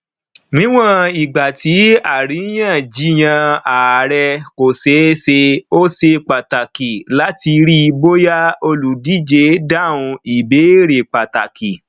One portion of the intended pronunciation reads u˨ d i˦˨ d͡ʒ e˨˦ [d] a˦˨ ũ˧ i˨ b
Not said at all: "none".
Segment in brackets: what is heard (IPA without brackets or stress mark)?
d